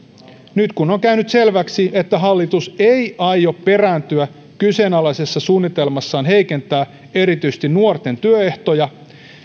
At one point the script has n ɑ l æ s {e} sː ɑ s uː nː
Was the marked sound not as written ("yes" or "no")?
no